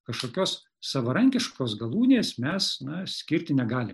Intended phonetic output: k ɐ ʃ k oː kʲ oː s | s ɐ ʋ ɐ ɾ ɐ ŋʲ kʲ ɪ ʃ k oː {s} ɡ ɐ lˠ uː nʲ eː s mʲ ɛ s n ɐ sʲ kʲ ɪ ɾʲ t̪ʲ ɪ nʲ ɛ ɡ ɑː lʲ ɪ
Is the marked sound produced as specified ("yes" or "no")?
yes